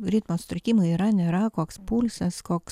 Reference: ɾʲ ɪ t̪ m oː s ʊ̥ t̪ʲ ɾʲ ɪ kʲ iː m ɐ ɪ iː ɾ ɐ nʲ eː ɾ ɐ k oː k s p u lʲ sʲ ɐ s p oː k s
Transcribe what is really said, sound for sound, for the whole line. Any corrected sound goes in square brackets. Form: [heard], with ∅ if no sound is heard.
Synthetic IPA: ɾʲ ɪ t̪ m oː s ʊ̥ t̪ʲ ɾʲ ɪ kʲ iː m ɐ ɪ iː ɾ ɐ nʲ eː ɾ ɐ k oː k s p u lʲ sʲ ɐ s [k] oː k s